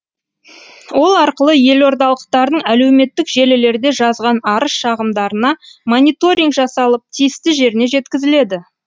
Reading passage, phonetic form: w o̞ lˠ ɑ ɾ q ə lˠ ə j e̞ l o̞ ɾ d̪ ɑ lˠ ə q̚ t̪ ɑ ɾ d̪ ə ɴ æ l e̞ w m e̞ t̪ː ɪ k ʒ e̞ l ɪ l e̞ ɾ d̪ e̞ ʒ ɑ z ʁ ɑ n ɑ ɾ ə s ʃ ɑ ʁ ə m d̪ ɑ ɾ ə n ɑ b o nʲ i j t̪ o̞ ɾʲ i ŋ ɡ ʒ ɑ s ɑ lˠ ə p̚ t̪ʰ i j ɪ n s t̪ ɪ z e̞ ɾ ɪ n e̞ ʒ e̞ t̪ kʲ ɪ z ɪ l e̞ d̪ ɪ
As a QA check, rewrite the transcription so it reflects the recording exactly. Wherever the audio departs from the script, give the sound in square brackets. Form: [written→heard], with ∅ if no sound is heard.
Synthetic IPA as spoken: w o̞ lˠ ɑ ɾ q ə lˠ ə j e̞ l o̞ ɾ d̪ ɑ lˠ ə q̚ t̪ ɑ ɾ d̪ ə ɴ æ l e̞ w m e̞ t̪ː ɪ k ʒ e̞ l ɪ l e̞ ɾ d̪ e̞ ʒ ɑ z ʁ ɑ n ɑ ɾ ə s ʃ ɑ ʁ ə m d̪ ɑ ɾ ə n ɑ [b→m] o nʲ i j t̪ o̞ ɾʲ i ŋ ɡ ʒ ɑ s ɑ lˠ ə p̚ t̪ʰ i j ɪ [n→∅] s t̪ ɪ [z→ʒ] e̞ ɾ ɪ n e̞ ʒ e̞ t̪ kʲ ɪ z ɪ l e̞ d̪ ɪ